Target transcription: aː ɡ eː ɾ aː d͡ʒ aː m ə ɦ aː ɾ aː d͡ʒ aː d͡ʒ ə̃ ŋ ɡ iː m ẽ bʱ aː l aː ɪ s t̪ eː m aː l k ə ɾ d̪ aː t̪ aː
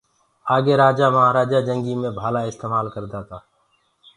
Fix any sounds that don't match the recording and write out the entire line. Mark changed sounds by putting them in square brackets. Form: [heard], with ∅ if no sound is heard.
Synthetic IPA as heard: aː ɡ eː ɾ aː d͡ʒ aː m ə ɦ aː ɾ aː d͡ʒ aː d͡ʒ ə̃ ŋ ɡ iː m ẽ bʱ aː l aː ɪ s t̪ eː m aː l k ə ɾ d̪ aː t̪ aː